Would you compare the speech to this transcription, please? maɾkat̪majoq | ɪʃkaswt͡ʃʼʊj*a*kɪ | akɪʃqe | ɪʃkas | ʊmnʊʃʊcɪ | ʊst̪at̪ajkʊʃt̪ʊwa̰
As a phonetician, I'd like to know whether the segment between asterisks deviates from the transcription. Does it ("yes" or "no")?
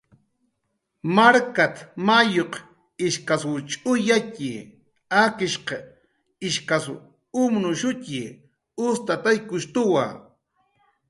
no